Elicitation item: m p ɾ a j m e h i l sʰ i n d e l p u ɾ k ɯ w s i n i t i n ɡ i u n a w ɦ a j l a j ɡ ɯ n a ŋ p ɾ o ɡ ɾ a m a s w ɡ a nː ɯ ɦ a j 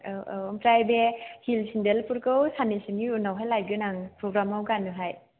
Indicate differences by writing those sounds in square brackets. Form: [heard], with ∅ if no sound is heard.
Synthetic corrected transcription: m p ɾ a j [b] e h i l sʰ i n d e l p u ɾ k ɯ w s [a] n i [s] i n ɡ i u n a w ɦ a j l a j ɡ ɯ n a ŋ p ɾ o ɡ ɾ a m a [∅] w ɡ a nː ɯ ɦ a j